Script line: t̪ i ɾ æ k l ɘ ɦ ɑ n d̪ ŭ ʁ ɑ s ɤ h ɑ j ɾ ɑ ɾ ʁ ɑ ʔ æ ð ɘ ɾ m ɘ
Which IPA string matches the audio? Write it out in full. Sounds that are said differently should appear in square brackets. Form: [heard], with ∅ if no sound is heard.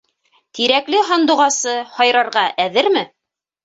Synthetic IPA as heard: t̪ i ɾ æ k l ɘ ɦ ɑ n d̪ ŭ ʁ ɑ s ɤ h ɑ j ɾ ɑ ɾ ʁ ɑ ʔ æ ð ɘ ɾ m ɘ